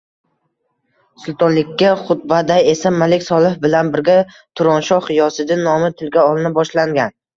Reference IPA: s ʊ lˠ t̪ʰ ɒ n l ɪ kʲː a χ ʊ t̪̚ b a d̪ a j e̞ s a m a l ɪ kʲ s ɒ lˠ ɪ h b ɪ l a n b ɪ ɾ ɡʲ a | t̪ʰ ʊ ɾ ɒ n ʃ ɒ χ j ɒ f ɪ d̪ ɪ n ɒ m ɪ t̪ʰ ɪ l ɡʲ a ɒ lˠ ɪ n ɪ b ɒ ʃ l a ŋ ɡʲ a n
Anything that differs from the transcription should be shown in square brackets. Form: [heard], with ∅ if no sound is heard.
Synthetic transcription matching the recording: s ʊ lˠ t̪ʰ ɒ n l ɪ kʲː a χ ʊ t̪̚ b a d̪ a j e̞ s a m a l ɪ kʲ s ɒ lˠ ɪ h b ɪ l a n b ɪ ɾ ɡʲ a | t̪ʰ ʊ ɾ ɒ n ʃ ɒ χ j ɒ [s] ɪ d̪ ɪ n ɒ m ɪ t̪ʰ ɪ l ɡʲ a ɒ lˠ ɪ n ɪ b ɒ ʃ l a ŋ ɡʲ a n